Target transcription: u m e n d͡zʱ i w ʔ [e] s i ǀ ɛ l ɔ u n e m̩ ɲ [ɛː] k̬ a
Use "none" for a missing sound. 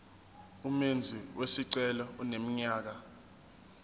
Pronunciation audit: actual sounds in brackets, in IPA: e, aː

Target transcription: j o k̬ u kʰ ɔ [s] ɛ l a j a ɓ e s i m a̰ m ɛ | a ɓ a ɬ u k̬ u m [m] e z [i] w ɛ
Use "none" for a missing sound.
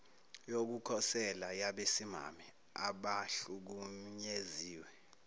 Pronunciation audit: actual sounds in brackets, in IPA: s, ɲ, iː

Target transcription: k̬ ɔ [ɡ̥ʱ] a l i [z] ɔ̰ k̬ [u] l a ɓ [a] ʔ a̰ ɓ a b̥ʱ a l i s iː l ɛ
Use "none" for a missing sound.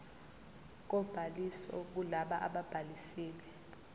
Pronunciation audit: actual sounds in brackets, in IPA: b̥ʱ, s, u, a

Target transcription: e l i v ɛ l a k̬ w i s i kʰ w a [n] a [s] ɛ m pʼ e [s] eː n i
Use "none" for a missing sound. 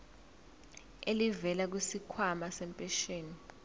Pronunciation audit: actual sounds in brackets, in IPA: m, s, ʃ

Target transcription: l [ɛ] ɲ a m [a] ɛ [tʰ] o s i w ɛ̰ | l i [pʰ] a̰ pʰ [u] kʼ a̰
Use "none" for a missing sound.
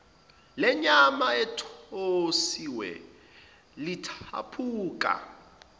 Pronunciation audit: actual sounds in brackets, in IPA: ɛ, a, tʰ, tʰ, uː

